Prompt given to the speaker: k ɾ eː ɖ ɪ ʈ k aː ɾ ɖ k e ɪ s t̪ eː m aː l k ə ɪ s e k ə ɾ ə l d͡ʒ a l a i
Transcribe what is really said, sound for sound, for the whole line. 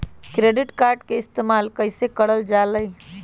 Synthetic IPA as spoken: k ɾ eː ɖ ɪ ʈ k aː ɾ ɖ k e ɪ s t̪ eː m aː l k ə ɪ s e k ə ɽ ə l d͡ʒ a l ə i